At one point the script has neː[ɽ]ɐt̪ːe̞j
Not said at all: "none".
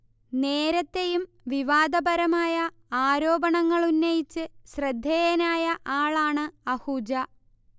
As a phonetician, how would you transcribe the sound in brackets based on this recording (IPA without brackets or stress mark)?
ɾ